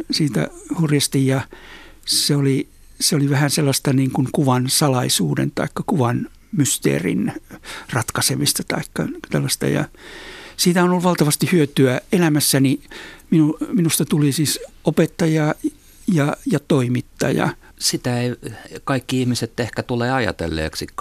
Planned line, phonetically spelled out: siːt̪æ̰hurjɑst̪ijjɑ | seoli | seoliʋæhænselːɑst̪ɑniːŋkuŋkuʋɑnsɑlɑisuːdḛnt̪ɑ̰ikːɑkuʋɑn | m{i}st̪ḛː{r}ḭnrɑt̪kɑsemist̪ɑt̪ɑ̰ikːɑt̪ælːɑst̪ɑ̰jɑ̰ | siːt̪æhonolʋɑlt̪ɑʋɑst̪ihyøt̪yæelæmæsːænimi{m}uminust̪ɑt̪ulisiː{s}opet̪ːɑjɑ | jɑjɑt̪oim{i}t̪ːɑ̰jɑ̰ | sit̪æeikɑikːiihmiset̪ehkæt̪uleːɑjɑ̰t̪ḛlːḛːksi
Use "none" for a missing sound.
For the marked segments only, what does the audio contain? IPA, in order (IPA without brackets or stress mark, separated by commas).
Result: y, r, n, s, i